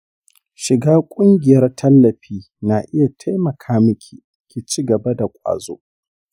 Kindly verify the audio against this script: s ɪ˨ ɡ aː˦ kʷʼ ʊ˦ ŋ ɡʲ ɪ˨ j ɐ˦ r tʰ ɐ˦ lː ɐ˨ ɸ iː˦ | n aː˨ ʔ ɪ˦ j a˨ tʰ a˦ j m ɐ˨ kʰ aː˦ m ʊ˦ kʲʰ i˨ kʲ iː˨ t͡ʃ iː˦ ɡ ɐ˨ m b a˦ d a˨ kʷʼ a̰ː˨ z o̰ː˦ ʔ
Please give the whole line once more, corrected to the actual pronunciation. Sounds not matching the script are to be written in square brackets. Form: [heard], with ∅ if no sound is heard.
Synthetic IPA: [ʃ] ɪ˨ ɡ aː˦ kʷʼ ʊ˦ ŋ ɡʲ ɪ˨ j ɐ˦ r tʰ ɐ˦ lː ɐ˨ ɸ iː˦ | n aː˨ ʔ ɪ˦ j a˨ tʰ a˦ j m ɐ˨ kʰ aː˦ m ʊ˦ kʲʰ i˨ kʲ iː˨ t͡ʃ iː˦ ɡ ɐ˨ [∅] b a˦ d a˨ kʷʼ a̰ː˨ z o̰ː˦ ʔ